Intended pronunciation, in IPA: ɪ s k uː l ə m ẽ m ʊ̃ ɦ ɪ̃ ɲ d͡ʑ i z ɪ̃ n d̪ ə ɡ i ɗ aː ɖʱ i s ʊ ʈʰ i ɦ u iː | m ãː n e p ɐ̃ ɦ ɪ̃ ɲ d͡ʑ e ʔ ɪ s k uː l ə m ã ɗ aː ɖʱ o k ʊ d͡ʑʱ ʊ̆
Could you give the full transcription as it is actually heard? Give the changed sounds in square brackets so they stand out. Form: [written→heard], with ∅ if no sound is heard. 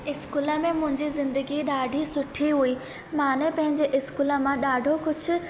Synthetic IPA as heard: ɪ s k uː l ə m ẽ m ʊ̃ ɦ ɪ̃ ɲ d͡ʑ i z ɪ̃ n d̪ ə ɡ i ɗ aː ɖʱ i s ʊ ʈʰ i ɦ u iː | m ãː n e p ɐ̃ ɦ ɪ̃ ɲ d͡ʑ e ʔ ɪ s k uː l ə m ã ɗ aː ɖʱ o k ʊ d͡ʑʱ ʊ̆